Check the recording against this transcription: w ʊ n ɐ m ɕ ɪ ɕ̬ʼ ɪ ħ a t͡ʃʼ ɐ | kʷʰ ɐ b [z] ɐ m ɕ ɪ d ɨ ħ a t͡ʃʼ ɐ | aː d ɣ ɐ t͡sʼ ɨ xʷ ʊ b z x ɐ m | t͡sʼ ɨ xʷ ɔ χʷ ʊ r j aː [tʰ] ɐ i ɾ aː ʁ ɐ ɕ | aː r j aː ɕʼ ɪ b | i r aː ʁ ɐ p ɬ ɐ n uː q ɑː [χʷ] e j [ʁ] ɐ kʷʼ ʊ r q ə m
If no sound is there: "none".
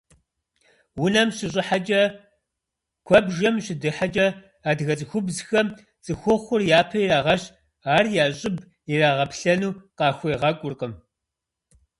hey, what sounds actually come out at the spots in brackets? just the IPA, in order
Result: ʒ, pʰ, xʷ, ʁ

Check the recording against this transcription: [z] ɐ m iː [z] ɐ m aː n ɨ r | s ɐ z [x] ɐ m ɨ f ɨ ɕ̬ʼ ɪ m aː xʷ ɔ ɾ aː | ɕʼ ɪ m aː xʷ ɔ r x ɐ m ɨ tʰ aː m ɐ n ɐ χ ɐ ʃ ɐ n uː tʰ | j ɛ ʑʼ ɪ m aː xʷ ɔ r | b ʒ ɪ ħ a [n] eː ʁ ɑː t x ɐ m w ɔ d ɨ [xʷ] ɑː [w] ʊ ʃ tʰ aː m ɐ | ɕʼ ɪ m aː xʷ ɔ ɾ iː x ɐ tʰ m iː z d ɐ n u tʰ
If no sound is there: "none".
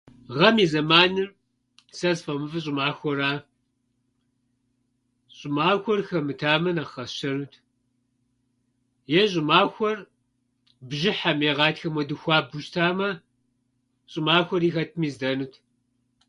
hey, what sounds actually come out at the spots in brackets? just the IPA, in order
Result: ʁ, z, f, m, xʷ, b

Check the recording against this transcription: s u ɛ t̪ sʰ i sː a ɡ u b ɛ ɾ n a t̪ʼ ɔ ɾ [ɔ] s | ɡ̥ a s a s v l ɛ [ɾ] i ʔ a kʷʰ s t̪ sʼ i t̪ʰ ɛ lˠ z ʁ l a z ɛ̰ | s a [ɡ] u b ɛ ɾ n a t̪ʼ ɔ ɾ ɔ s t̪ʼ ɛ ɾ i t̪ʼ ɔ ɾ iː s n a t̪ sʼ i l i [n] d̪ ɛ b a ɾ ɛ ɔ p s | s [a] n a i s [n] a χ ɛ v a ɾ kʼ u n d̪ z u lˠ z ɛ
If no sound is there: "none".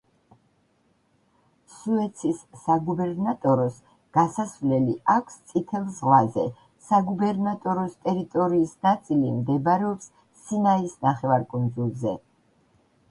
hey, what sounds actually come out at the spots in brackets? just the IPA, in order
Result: ɔ, l, ɡ, m, i, n

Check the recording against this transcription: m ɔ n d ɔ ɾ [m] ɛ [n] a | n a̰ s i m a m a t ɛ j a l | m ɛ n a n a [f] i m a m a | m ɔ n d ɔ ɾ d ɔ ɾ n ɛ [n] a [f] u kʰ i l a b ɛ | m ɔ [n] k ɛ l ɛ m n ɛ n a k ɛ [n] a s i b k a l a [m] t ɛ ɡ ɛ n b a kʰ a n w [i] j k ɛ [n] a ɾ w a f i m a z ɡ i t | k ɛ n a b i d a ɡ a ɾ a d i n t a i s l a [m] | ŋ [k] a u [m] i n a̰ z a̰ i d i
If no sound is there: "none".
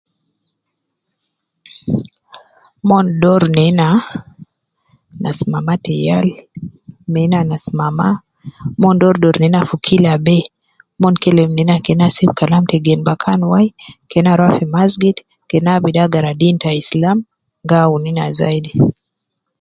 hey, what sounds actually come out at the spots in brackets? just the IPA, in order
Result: n, n, s, n, f, n, n, m, a, n, m, ɡ, n

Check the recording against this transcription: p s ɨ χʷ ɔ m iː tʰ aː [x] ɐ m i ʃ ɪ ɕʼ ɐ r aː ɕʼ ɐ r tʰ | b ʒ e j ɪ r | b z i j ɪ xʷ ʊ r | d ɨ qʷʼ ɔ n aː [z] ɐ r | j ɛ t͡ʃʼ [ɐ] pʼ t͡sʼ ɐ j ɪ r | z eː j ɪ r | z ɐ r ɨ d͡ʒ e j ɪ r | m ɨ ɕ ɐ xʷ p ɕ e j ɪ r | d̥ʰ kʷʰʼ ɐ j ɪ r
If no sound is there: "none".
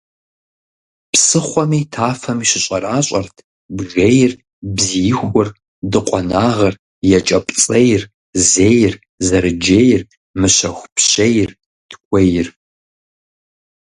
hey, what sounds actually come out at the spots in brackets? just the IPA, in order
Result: f, ʁ, ɐ

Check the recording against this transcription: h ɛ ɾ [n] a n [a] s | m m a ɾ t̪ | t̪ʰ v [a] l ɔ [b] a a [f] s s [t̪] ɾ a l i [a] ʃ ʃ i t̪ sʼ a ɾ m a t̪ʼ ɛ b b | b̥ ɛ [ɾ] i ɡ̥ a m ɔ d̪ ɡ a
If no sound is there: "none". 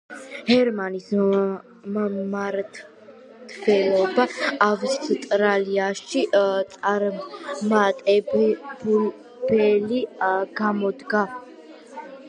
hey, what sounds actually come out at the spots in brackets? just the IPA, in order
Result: m, i, ɛ, b, v, t̪ʼ, a, l

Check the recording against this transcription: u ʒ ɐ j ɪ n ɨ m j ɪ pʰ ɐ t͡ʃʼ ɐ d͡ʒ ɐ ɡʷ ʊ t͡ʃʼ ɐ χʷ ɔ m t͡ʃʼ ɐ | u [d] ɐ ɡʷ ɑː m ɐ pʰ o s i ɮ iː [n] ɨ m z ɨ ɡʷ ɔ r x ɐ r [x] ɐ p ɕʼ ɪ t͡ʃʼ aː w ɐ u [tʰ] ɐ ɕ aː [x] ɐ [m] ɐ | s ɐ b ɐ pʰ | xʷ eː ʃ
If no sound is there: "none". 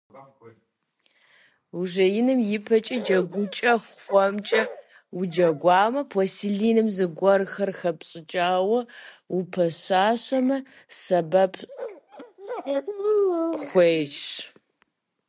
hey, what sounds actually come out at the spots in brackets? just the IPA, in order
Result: d͡ʒ, n, x, pʰ, ɕ, m

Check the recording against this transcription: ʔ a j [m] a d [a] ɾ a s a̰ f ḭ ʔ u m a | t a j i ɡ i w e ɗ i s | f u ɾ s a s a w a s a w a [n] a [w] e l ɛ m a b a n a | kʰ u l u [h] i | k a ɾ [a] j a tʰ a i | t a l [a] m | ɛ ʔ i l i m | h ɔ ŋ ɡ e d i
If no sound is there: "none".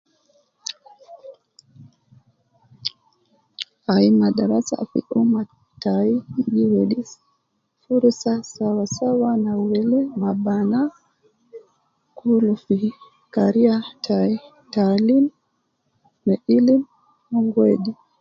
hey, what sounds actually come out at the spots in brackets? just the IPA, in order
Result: m, a, n, w, f, i, i

